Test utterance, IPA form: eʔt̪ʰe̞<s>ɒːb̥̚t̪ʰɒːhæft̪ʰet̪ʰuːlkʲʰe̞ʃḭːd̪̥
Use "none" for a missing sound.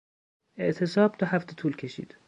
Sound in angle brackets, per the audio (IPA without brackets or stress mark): s